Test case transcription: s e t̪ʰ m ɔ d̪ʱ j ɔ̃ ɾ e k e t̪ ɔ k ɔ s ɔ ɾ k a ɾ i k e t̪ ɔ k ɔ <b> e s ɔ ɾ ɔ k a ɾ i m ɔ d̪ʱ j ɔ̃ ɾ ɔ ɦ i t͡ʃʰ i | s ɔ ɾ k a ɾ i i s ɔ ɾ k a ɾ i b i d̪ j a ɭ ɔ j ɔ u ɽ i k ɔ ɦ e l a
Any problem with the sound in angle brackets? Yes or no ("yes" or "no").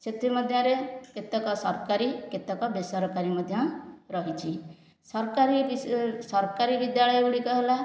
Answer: no